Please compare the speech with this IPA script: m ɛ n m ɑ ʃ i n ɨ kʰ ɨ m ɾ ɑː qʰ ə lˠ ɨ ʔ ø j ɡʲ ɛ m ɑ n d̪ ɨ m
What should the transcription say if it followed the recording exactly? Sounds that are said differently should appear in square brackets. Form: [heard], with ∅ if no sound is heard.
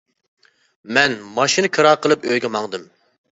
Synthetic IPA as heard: m ɛ n m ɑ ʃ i n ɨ kʰ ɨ [∅] ɾ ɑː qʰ ə lˠ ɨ [p] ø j ɡʲ ɛ m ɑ [ŋ] d̪ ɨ m